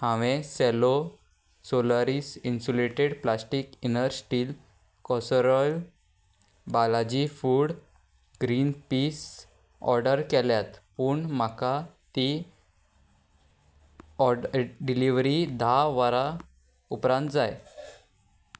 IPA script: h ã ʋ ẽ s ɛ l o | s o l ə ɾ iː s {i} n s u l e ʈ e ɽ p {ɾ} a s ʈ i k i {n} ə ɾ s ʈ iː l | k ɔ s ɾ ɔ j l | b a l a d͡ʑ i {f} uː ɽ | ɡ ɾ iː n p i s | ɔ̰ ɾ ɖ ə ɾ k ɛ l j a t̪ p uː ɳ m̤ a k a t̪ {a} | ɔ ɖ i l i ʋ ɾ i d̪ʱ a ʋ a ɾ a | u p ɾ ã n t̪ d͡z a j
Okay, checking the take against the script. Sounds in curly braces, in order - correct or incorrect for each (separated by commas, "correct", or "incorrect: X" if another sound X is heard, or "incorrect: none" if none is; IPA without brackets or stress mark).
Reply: correct, incorrect: l, correct, correct, incorrect: i